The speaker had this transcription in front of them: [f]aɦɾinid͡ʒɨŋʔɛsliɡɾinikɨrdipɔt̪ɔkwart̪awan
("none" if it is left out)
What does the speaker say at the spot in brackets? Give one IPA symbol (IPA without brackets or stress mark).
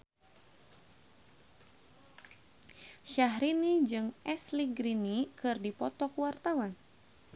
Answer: ʃ